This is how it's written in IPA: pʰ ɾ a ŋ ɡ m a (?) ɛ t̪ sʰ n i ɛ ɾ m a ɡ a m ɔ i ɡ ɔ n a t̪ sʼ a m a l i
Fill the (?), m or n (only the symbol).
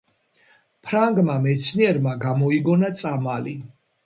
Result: m